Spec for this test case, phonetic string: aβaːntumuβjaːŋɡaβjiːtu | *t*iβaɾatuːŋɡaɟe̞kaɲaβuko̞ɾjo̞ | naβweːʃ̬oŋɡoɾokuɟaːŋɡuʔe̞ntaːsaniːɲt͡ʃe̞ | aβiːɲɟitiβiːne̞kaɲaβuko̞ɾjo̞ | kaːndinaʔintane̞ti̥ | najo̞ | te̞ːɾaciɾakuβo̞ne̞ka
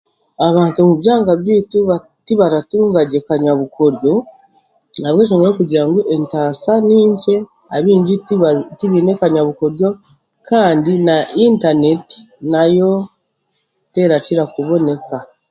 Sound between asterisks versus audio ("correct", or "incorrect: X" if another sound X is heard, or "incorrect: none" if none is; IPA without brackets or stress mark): correct